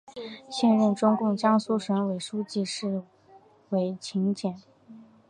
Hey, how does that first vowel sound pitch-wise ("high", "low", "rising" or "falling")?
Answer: falling